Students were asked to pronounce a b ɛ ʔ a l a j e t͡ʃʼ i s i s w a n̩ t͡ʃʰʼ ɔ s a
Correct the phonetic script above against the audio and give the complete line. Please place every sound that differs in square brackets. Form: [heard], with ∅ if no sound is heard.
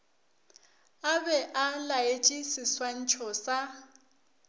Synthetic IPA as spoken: a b ɛ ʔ a l a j e t͡ʃʼ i s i s w a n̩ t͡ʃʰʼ ɔ s a